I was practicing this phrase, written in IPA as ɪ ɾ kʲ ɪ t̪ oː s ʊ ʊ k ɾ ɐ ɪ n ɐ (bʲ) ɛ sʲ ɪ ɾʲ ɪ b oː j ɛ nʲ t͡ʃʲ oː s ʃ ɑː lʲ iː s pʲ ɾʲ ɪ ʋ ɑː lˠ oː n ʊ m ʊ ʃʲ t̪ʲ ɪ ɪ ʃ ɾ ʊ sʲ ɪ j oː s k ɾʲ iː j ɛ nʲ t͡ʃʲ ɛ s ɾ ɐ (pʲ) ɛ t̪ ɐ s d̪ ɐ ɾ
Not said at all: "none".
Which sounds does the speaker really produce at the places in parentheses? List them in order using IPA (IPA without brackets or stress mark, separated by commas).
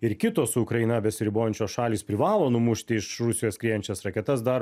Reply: bʲ, kʲ